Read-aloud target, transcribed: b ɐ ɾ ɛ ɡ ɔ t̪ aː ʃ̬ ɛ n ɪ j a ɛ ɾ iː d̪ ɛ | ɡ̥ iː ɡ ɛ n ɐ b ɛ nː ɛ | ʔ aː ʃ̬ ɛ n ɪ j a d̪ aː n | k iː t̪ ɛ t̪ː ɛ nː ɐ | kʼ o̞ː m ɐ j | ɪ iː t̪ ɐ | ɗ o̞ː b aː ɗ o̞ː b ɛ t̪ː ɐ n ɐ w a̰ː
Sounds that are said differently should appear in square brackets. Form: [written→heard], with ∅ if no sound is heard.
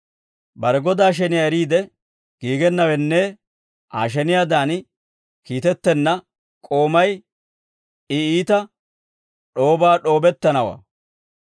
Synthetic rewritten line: b ɐ ɾ ɛ ɡ ɔ [t̪→d̪] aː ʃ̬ ɛ n ɪ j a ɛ ɾ iː d̪ ɛ | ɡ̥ iː ɡ ɛ [n→nː] ɐ [b→w] ɛ nː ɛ | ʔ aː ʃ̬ ɛ n ɪ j a d̪ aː n | k iː t̪ ɛ t̪ː ɛ nː ɐ | kʼ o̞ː m ɐ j | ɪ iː t̪ ɐ | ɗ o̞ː b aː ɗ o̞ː b ɛ t̪ː ɐ n ɐ w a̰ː

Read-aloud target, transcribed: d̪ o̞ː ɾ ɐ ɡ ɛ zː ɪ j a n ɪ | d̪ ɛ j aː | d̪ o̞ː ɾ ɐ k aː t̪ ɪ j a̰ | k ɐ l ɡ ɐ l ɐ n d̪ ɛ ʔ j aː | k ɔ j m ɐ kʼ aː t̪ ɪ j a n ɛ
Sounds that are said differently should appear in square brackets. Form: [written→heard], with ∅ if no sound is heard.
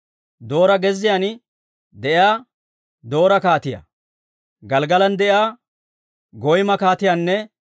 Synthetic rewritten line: d̪ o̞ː ɾ ɐ ɡ ɛ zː ɪ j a n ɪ | d̪ ɛ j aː | d̪ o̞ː ɾ ɐ k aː t̪ ɪ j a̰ | [k→ɡ] ɐ l ɡ ɐ l ɐ n d̪ ɛ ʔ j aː | [k→ɡ] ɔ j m ɐ [kʼ→k] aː t̪ ɪ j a [n→nː] ɛ

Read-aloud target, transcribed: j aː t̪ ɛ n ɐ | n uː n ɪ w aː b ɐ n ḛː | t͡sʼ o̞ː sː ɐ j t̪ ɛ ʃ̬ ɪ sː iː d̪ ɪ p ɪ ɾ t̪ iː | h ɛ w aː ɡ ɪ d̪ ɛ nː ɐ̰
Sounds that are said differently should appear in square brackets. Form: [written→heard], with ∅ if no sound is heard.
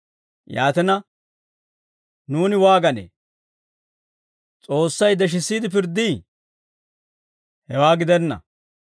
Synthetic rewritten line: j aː t̪ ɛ n ɐ | n uː n ɪ w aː [b→ɡ] ɐ n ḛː | t͡sʼ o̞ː sː ɐ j [t̪→d̪] ɛ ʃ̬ ɪ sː iː d̪ ɪ p ɪ ɾ [t̪→d̪] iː | h ɛ w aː ɡ ɪ d̪ ɛ nː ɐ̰

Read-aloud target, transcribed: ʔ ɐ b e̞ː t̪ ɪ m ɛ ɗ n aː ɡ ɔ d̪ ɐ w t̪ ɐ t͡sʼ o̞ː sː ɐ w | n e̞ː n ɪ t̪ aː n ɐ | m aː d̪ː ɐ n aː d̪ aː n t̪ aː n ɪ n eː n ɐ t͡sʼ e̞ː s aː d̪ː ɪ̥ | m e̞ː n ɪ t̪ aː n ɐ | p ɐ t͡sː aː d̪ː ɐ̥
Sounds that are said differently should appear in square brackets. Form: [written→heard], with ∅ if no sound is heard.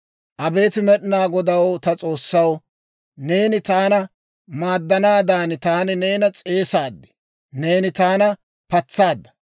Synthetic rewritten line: ʔ ɐ b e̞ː t̪ ɪ m ɛ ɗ n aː ɡ ɔ d̪ ɐ w t̪ ɐ t͡sʼ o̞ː sː ɐ w | n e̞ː n ɪ t̪ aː n ɐ | m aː d̪ː ɐ n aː d̪ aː n t̪ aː n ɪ n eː n ɐ t͡sʼ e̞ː s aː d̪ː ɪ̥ | [m→n] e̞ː n ɪ t̪ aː n ɐ | p ɐ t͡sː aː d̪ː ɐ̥

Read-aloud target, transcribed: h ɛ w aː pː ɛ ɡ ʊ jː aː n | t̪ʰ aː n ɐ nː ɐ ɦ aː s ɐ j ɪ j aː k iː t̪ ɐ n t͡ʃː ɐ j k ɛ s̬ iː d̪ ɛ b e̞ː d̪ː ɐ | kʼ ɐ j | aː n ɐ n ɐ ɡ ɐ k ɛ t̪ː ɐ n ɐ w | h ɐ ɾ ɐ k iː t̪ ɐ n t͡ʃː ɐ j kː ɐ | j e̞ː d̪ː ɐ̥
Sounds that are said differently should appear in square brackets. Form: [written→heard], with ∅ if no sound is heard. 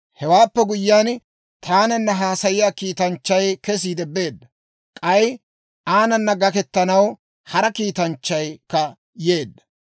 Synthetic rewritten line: h ɛ w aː pː ɛ ɡ ʊ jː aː n | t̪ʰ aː n ɐ nː ɐ ɦ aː s ɐ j ɪ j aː k iː t̪ ɐ n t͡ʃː ɐ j k ɛ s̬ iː d̪ ɛ b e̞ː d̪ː ɐ | kʼ ɐ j | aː n ɐ [n→nː] ɐ ɡ ɐ k ɛ t̪ː ɐ n ɐ w | h ɐ ɾ ɐ k iː t̪ ɐ n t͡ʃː ɐ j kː ɐ | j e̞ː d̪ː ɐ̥

